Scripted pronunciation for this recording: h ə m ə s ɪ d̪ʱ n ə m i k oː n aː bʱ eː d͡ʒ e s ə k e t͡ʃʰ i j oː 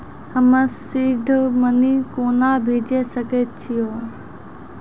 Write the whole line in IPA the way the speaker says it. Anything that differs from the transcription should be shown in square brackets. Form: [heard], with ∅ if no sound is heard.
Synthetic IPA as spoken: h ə m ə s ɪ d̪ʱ [m] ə [n] i k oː n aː bʱ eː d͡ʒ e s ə k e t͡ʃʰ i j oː